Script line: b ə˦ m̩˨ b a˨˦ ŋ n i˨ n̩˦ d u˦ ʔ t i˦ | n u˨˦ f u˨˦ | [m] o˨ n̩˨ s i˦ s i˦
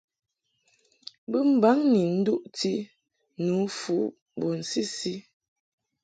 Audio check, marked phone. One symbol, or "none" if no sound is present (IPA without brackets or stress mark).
b